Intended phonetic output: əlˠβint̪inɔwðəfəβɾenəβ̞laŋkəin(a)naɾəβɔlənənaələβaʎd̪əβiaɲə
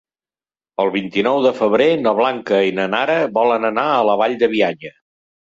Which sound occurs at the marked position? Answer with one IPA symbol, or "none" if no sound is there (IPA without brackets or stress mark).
ə